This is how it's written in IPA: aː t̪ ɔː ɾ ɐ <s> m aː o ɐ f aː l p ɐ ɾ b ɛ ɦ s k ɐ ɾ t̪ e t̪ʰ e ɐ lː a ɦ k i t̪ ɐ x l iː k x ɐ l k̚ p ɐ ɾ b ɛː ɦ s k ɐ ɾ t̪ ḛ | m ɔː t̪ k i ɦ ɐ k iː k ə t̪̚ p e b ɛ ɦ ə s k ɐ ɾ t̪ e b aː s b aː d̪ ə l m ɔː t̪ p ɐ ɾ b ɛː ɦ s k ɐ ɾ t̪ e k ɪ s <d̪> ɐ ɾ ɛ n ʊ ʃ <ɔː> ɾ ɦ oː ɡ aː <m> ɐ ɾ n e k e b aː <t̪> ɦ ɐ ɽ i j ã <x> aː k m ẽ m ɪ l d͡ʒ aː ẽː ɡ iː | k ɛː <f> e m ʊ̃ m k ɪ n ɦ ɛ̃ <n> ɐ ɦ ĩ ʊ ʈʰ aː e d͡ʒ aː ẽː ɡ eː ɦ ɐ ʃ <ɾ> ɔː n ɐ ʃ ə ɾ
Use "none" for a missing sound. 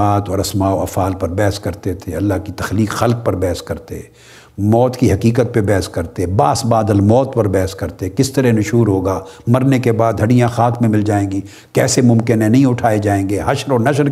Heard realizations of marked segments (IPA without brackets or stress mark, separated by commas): s, t̪, uː, m, d̪, x, s, n, ɾ